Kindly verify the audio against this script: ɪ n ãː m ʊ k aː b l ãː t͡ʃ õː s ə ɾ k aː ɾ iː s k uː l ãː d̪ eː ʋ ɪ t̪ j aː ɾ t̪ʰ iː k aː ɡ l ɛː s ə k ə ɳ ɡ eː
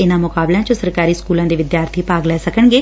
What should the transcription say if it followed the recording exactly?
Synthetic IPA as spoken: ɪ n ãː m ʊ k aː b l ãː t͡ʃ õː s ə ɾ k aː ɾ iː s k uː l ãː d̪ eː ʋ ɪ d̪ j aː ɾ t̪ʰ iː p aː ɡ l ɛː s ə k ə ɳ ɡ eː